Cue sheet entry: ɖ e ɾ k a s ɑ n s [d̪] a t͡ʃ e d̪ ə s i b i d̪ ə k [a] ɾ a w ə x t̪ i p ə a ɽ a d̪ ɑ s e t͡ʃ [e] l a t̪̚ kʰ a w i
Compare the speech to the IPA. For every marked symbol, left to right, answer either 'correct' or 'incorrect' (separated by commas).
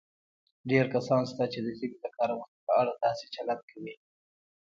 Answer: incorrect, incorrect, incorrect